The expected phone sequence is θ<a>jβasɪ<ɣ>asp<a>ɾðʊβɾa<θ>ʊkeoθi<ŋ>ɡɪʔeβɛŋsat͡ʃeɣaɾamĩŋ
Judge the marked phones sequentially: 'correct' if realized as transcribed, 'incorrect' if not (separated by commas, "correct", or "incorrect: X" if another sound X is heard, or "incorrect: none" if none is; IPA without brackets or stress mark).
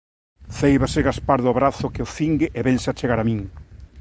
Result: incorrect: e, correct, correct, correct, correct